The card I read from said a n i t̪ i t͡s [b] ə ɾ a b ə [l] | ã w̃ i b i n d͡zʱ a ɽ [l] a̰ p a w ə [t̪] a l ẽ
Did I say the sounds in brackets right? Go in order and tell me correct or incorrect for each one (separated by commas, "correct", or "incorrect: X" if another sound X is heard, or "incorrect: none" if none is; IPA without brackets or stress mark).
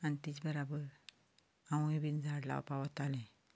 correct, incorrect: ɾ, correct, correct